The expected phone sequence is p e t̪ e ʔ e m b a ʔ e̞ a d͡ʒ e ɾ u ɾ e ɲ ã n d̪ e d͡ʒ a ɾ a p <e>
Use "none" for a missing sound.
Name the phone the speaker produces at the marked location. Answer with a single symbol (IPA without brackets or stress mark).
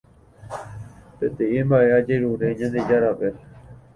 e